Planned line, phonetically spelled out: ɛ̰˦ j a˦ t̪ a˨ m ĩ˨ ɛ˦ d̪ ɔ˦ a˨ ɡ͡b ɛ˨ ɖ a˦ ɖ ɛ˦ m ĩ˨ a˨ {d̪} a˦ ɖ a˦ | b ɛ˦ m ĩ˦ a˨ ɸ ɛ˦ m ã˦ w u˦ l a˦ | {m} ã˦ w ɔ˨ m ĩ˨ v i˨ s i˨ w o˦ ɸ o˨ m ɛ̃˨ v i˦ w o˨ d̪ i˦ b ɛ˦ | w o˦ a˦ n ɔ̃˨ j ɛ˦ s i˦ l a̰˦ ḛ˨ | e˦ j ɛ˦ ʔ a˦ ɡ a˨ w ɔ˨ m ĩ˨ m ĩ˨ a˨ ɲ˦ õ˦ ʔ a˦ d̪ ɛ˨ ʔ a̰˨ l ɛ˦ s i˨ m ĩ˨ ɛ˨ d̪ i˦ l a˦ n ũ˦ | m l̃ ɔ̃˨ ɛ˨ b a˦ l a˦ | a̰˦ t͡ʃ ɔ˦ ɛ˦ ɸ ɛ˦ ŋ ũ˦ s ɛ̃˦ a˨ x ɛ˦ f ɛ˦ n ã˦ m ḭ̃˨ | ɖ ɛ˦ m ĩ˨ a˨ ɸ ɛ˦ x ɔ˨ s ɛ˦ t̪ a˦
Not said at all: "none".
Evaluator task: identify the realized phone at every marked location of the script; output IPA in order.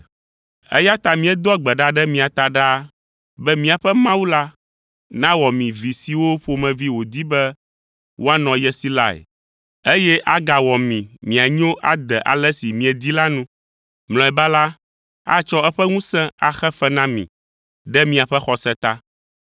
t̪, n

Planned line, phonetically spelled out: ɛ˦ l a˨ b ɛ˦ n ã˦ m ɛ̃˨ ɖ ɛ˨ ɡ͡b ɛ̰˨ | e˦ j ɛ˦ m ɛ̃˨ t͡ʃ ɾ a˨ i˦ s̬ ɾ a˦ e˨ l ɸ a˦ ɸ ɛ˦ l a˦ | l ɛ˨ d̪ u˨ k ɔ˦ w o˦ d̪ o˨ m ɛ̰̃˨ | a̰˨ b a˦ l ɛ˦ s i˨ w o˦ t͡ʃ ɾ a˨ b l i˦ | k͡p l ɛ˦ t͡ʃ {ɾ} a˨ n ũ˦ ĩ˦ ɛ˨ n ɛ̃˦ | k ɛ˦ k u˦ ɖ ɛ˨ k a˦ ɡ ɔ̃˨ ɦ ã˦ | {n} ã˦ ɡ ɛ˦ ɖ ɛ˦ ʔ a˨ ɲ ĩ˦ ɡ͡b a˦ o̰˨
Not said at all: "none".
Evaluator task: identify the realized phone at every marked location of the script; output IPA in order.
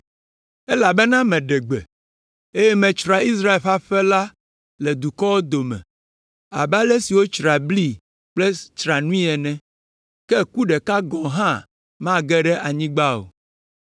ɾ, m

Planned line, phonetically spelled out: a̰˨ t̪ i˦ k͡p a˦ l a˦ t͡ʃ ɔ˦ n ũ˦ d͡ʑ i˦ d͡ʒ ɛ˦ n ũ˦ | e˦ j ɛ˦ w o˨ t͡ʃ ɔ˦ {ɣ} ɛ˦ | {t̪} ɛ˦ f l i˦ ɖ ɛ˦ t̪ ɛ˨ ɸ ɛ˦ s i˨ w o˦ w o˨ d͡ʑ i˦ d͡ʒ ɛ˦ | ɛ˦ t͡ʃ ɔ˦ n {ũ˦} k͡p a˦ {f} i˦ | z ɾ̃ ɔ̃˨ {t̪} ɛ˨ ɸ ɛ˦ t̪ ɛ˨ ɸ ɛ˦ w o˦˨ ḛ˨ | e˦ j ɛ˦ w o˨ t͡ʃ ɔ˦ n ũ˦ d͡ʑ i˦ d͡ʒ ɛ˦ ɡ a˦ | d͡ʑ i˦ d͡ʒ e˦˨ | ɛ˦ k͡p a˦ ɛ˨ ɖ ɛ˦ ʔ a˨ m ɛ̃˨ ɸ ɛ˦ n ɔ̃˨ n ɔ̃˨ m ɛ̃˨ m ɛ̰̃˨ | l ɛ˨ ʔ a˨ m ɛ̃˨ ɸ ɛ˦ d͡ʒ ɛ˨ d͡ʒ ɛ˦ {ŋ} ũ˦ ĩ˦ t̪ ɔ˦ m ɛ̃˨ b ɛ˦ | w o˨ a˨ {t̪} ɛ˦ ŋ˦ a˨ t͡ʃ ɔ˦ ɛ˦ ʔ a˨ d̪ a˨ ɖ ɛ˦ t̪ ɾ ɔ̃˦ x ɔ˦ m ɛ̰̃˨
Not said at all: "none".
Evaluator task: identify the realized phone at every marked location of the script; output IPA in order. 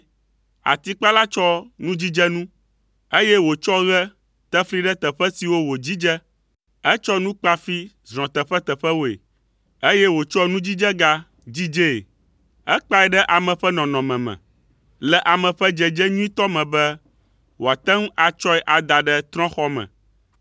ɣ, t̪, ũ˦, f, t̪, ɲ, t̪

